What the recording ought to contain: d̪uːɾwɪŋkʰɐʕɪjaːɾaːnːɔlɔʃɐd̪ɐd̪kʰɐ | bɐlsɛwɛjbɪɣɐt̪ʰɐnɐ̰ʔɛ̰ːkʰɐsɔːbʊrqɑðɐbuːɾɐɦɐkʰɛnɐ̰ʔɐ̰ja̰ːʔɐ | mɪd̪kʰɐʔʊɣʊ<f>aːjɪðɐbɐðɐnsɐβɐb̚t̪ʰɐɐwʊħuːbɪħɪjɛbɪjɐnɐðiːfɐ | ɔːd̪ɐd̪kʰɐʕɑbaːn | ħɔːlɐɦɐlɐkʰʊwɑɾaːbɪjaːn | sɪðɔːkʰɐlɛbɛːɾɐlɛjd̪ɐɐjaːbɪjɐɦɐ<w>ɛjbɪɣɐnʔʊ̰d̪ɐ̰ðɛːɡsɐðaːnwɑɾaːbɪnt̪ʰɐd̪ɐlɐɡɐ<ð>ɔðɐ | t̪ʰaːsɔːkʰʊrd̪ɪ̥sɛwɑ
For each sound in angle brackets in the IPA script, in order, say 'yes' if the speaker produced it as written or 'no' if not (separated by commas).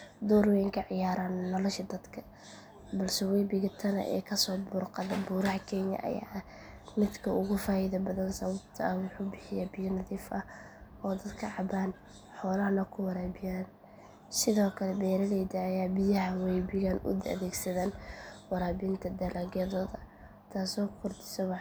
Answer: yes, yes, yes